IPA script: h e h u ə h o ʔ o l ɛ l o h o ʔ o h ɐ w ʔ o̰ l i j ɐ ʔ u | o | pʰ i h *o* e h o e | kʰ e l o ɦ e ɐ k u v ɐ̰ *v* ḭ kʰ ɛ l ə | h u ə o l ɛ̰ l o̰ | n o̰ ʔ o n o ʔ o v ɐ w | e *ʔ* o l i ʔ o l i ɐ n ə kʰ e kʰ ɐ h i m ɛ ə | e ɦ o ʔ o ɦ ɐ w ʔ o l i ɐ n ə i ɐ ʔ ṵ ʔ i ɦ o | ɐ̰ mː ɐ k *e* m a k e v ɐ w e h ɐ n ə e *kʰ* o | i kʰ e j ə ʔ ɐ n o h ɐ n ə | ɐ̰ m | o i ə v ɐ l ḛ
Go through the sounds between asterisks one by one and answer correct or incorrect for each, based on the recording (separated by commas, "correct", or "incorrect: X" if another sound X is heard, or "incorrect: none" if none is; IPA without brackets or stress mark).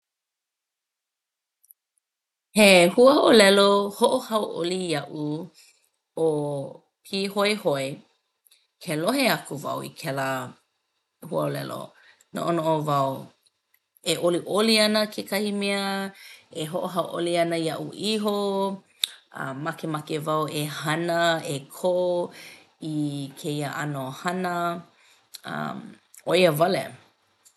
correct, incorrect: w, correct, correct, correct